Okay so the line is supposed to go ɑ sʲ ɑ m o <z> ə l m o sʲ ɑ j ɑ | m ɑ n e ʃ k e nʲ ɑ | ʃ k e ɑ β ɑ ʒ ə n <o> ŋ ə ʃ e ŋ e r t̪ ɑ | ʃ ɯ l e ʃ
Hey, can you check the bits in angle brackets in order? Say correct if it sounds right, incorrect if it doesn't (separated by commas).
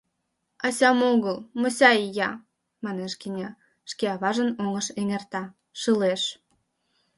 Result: incorrect, correct